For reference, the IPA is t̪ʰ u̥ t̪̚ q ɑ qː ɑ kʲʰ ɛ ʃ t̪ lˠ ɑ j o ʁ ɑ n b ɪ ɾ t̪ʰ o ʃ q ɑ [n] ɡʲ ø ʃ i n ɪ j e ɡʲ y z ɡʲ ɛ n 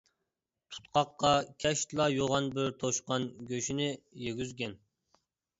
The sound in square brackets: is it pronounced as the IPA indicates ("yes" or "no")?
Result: yes